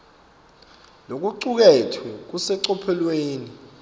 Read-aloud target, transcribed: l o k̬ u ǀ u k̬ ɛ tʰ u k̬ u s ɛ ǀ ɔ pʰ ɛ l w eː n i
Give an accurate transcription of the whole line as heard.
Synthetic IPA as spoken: l o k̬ u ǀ u k̬ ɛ tʰ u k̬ u s ɛ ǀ ɔ pʰ ɛ l w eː n i